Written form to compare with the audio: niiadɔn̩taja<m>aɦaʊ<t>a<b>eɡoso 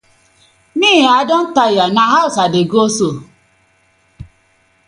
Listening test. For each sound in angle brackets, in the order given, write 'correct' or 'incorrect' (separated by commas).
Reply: incorrect, incorrect, incorrect